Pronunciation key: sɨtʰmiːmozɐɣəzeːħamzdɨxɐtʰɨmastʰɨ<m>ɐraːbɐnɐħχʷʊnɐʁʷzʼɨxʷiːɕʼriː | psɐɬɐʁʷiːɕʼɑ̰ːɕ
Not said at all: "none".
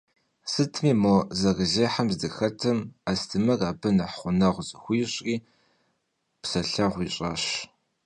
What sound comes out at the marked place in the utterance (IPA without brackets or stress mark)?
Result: m